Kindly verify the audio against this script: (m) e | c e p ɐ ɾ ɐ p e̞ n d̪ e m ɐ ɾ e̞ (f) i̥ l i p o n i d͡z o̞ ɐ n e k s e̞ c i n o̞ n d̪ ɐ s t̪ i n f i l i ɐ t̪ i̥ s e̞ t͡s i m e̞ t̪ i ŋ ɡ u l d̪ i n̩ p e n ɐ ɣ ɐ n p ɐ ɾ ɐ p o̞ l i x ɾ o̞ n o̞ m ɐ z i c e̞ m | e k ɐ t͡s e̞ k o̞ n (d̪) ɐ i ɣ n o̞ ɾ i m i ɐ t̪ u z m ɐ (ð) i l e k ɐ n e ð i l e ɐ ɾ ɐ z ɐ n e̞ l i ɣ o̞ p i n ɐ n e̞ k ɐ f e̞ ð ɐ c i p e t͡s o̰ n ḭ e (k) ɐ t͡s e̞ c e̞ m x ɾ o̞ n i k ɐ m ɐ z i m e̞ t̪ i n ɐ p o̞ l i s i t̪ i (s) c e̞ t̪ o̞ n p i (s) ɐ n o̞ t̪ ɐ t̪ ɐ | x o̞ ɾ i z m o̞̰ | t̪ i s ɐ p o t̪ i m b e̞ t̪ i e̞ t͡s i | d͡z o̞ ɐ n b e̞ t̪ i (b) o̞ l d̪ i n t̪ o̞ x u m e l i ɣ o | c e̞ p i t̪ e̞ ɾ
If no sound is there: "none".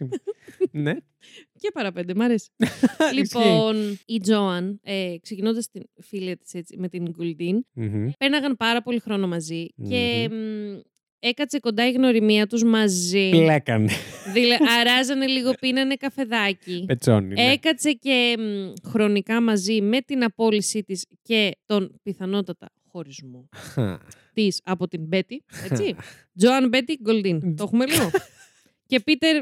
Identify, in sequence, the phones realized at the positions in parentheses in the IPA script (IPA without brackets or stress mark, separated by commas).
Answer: n, s, d̪, z, k, s, θ, ɡ